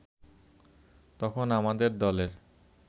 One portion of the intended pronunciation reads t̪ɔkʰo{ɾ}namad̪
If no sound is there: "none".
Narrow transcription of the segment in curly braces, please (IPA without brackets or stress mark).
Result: none